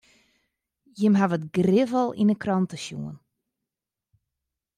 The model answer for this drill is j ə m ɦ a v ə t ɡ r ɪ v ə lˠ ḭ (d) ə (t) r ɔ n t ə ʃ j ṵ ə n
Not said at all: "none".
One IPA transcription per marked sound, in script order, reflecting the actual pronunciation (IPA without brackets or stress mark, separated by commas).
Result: n, k